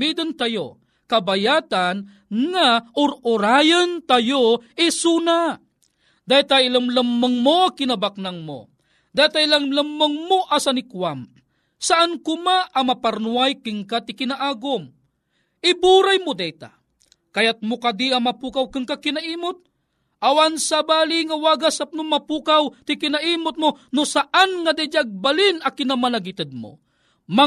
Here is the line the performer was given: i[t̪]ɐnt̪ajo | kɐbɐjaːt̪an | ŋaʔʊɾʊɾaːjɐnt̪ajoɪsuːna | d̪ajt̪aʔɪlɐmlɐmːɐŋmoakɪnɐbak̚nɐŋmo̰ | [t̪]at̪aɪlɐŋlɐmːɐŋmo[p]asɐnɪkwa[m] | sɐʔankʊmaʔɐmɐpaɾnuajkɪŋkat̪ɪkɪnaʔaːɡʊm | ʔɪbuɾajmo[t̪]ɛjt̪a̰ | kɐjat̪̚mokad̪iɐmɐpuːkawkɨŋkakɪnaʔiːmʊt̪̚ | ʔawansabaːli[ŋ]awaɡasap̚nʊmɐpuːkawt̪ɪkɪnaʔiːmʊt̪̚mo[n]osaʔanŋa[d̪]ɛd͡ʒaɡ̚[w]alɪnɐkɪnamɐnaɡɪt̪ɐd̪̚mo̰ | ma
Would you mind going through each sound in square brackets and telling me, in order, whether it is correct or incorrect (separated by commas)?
incorrect, incorrect, incorrect, correct, incorrect, correct, correct, correct, incorrect